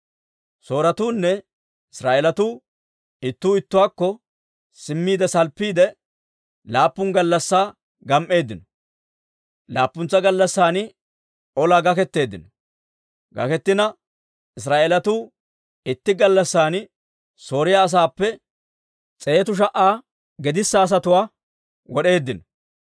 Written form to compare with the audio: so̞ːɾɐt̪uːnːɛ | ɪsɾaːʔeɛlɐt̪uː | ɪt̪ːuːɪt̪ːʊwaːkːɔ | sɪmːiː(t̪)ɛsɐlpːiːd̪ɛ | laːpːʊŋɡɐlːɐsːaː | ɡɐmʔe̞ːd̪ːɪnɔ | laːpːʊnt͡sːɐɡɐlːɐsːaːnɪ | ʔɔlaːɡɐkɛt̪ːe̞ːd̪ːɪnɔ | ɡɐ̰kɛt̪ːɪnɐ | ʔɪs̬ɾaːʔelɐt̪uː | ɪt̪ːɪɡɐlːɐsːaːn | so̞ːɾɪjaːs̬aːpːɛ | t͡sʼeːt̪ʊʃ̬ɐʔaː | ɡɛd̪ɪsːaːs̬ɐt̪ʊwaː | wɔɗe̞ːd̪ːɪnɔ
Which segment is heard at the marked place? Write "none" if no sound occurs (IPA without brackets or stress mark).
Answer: d̪